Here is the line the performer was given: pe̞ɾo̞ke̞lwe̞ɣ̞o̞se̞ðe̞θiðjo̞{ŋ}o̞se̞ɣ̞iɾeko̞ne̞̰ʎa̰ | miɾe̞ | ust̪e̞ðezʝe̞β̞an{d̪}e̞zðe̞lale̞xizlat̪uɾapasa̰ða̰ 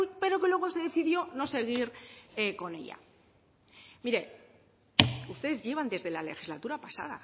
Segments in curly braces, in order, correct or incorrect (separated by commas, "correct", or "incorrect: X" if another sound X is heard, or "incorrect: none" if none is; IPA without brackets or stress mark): incorrect: n, correct